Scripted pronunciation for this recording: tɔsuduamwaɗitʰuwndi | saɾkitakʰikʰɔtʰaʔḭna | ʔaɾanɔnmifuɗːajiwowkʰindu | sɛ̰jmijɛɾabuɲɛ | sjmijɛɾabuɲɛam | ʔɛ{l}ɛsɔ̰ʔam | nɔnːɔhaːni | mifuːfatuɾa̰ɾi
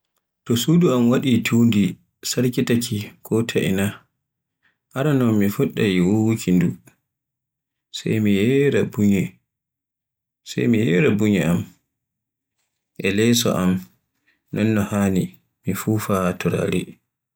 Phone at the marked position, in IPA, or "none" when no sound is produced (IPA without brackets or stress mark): l